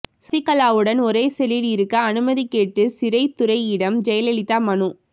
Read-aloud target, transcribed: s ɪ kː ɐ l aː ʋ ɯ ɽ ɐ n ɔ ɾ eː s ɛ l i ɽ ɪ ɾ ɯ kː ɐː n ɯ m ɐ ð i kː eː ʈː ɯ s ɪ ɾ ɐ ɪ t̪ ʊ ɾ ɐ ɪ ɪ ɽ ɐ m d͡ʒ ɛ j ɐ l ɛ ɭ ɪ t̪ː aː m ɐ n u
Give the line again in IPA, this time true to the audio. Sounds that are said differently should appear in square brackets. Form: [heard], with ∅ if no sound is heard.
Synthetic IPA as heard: s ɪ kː ɐ l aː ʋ ɯ ɽ ɐ n ɔ ɾ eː s ɛ l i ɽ ɪ ɾ ɯ kː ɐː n ɯ m ɐ ð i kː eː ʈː ɯ s ɪ ɾ ɐ ɪ t̪ ʊ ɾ ɐ ɪ ɪ ɽ ɐ m d͡ʒ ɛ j ɐ l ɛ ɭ ɪ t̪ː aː m ɐ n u

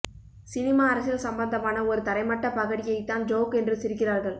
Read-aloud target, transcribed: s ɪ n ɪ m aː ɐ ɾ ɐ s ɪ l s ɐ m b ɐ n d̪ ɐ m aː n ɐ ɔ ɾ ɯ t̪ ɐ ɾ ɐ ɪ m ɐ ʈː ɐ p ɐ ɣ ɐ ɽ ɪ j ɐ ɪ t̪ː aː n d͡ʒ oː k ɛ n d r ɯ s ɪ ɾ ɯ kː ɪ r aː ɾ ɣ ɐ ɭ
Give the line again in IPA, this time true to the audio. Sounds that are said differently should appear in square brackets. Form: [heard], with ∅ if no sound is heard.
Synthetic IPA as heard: s ɪ n ɪ m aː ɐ ɾ ɐ s ɪ l s ɐ m b ɐ n d̪ ɐ m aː n ɐ ɔ ɾ ɯ t̪ ɐ ɾ ɐ ɪ m ɐ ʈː ɐ p ɐ ɣ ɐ ɽ ɪ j ɐ ɪ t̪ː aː n d͡ʒ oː k ɛ n d r ɯ s ɪ ɾ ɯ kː ɪ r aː ɾ ɣ ɐ ɭ

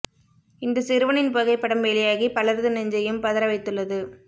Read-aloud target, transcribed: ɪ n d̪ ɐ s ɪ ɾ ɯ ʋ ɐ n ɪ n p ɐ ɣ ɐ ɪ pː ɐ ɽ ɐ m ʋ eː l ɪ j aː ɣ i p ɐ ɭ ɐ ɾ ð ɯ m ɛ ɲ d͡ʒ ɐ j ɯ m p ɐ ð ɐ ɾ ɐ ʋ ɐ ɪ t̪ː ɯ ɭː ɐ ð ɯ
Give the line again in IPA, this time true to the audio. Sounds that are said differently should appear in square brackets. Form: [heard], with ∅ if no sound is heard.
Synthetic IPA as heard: ɪ n d̪ ɐ s ɪ ɾ ɯ ʋ ɐ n ɪ n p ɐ ɣ ɐ ɪ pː ɐ ɽ ɐ m ʋ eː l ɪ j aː ɣ i p ɐ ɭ ɐ ɾ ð ɯ [n] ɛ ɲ d͡ʒ ɐ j ɯ m p ɐ ð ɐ ɾ ɐ ʋ ɐ ɪ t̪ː ɯ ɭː ɐ ð ɯ

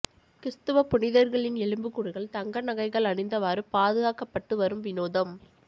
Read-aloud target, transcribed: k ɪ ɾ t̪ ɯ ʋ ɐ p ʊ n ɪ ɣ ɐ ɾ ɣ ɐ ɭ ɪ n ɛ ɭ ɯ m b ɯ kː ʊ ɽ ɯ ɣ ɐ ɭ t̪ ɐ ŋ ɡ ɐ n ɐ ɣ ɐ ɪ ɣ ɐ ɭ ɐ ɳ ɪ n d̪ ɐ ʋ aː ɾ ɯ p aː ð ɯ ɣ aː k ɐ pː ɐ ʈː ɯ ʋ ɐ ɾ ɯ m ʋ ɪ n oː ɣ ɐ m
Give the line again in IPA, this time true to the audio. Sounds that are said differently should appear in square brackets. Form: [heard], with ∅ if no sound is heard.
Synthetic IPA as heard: k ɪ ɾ t̪ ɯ ʋ ɐ p ʊ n ɪ [ð] ɐ ɾ ɣ ɐ ɭ ɪ n ɛ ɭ ɯ m b ɯ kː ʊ ɽ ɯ ɣ ɐ ɭ t̪ ɐ ŋ ɡ ɐ n ɐ ɣ ɐ ɪ ɣ ɐ ɭ ɐ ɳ ɪ n d̪ ɐ ʋ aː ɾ ɯ p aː ð ɯ ɣ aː k ɐ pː ɐ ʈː ɯ ʋ ɐ ɾ ɯ m ʋ ɪ n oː [ð] ɐ m

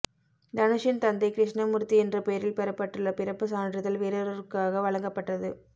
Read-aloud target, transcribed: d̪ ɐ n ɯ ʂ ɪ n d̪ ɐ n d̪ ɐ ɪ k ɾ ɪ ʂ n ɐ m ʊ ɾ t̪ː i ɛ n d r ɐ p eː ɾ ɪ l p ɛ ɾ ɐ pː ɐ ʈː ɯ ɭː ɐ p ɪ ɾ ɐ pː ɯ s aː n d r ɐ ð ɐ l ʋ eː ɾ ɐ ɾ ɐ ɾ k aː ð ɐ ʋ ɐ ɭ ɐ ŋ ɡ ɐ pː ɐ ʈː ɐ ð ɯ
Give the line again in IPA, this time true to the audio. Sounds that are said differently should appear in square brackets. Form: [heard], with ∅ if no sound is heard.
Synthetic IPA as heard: d̪ ɐ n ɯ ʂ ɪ n [t̪] ɐ n d̪ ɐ ɪ k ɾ ɪ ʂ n ɐ m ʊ ɾ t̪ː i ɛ n d r ɐ p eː ɾ ɪ l p ɛ ɾ ɐ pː ɐ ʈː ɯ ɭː ɐ p ɪ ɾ ɐ pː ɯ s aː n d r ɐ ð ɐ l ʋ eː ɾ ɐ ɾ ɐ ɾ k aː [ɣ] ɐ ʋ ɐ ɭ ɐ ŋ ɡ ɐ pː ɐ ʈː ɐ ð ɯ

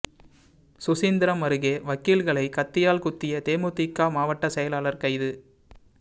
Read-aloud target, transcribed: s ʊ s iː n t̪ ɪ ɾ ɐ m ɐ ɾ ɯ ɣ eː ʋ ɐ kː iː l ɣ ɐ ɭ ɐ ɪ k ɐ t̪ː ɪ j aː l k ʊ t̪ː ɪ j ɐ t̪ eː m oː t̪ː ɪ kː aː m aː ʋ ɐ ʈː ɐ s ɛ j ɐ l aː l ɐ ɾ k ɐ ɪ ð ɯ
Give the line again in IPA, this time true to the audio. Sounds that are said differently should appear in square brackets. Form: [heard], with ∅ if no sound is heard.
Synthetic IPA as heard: s ʊ s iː n [d̪] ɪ ɾ ɐ m ɐ ɾ ɯ ɣ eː ʋ ɐ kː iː l ɣ ɐ ɭ ɐ ɪ k ɐ t̪ː ɪ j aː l k ʊ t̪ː ɪ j ɐ t̪ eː m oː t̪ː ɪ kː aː m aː ʋ ɐ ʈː ɐ s ɛ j ɐ l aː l ɐ ɾ k ɐ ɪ ð ɯ

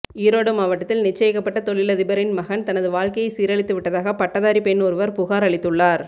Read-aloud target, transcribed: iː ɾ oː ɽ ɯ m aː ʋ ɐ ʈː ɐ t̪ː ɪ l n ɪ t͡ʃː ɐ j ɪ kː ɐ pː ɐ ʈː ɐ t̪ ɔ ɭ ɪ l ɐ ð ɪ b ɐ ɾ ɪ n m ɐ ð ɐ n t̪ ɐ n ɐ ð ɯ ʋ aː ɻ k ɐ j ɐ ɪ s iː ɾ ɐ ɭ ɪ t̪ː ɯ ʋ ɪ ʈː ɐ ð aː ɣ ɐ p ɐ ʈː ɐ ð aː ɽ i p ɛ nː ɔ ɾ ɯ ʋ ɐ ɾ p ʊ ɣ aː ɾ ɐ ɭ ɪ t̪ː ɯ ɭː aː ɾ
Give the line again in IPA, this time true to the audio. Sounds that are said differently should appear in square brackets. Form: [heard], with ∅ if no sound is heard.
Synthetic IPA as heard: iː ɾ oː ɽ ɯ m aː ʋ ɐ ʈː ɐ t̪ː ɪ l n ɪ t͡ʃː ɐ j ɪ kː ɐ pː ɐ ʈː ɐ t̪ ɔ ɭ ɪ l ɐ ð ɪ b ɐ ɾ ɪ n m ɐ [ɣ] ɐ n t̪ ɐ n ɐ ð ɯ ʋ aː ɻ k ɐ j ɐ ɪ s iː ɾ ɐ ɭ ɪ t̪ː ɯ ʋ ɪ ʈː ɐ ð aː ɣ ɐ p ɐ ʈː ɐ ð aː [ɾ] i p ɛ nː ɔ ɾ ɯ ʋ ɐ ɾ p ʊ ɣ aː ɾ ɐ ɭ ɪ t̪ː ɯ ɭː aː ɾ

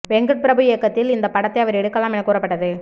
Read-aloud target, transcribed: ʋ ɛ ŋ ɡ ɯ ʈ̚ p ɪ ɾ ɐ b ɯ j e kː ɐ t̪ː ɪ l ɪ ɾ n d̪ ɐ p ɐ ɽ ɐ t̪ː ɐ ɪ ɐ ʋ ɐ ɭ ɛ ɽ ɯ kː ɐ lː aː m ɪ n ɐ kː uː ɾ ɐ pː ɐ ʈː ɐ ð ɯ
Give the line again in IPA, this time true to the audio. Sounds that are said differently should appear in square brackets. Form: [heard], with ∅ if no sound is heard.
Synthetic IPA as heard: ʋ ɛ ŋ ɡ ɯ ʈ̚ p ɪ ɾ ɐ b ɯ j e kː ɐ t̪ː ɪ l ɪ [∅] n d̪ ɐ p ɐ ɽ ɐ t̪ː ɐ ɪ ɐ ʋ ɐ [ɾ] ɛ ɽ ɯ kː ɐ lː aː m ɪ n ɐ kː uː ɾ ɐ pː ɐ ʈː ɐ ð ɯ

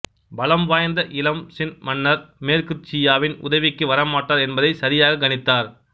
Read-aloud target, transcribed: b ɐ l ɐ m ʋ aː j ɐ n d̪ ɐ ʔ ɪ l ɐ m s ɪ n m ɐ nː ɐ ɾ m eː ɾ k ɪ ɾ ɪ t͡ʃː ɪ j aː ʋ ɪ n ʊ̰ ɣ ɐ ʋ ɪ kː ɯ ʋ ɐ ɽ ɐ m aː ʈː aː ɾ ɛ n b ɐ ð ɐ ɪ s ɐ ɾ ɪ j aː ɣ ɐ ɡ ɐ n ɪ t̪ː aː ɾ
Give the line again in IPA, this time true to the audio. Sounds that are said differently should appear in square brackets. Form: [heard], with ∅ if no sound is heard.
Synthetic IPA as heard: b ɐ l ɐ m ʋ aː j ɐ n d̪ ɐ ʔ ɪ l ɐ m s ɪ n m ɐ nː ɐ ɾ m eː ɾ k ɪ ɾ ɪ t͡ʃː ɪ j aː ʋ ɪ n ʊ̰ [ð] ɐ ʋ ɪ kː ɯ ʋ ɐ [ɾ] ɐ m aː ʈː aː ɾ ɛ n b ɐ ð ɐ ɪ s ɐ ɾ ɪ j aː ɣ ɐ ɡ ɐ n ɪ t̪ː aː ɾ

